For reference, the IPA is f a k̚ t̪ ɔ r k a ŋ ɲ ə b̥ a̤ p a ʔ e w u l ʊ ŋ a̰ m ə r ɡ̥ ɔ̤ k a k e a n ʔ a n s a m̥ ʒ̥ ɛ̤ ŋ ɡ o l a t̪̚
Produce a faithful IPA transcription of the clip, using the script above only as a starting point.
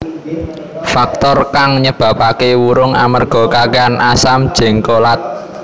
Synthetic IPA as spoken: f a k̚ t̪ ɔ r k a ŋ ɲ ə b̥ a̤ p a k e w u ɾ ʊ ŋ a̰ m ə r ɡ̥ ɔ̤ k a k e a n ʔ a s a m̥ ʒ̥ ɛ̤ ŋ k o l a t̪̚